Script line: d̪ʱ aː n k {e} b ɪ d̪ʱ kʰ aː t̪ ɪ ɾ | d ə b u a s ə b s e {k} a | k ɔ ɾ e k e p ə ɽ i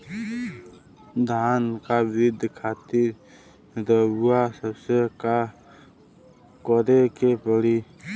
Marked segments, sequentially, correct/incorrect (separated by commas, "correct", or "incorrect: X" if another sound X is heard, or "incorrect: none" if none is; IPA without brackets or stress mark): incorrect: a, correct